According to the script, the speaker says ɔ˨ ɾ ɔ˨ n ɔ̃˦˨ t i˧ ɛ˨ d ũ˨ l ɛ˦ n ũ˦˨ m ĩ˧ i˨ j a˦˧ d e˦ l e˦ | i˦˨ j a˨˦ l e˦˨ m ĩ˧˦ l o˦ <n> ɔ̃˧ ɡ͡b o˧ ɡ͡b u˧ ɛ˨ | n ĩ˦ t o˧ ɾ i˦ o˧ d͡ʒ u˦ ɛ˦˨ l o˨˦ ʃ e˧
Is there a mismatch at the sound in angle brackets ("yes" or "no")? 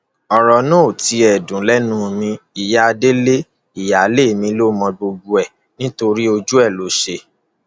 yes